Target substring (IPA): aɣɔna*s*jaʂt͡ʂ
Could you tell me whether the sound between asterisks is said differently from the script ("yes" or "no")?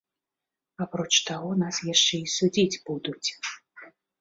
no